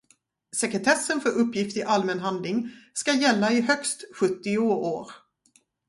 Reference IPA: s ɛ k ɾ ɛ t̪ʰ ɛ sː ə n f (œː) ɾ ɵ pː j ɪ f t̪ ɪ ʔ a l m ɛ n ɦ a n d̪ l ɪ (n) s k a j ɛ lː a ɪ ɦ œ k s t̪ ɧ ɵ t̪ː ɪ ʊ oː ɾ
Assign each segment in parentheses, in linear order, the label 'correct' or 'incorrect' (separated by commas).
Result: incorrect, incorrect